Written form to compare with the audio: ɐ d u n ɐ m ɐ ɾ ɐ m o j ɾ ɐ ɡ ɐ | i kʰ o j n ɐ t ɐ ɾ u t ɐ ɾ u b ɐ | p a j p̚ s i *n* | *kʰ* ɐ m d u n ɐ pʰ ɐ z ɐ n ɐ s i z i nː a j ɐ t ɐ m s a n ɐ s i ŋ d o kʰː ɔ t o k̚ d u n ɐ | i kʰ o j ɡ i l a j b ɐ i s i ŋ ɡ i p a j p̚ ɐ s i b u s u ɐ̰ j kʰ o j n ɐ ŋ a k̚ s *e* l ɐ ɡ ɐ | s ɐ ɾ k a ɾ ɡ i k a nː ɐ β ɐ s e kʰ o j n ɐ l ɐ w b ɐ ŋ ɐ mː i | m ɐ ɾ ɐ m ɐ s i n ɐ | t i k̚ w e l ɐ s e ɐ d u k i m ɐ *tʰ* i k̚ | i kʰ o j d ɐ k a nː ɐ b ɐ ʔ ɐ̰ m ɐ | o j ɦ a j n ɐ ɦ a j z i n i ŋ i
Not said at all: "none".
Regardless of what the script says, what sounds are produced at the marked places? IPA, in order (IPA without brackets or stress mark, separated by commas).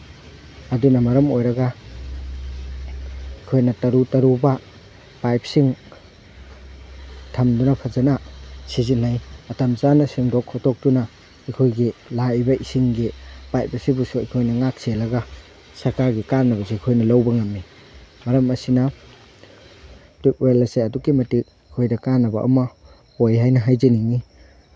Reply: ŋ, tʰ, e, t